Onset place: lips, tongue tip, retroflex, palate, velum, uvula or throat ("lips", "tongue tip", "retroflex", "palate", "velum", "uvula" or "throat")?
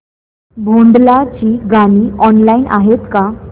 lips